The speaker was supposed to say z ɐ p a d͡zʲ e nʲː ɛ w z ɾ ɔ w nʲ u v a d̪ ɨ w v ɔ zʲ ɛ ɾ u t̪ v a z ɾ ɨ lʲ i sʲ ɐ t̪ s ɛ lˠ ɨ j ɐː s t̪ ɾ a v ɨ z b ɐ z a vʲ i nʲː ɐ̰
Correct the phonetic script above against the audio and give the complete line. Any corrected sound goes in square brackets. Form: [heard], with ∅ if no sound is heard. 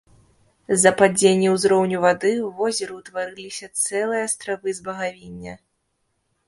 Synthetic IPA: z ɐ p a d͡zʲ e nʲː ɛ w z ɾ ɔ w nʲ u v a d̪ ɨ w v ɔ zʲ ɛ ɾ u t̪ v a [∅] ɾ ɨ lʲ i sʲ ɐ t̪ s ɛ lˠ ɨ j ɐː s t̪ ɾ a v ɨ z b ɐ [ɣ] a vʲ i nʲː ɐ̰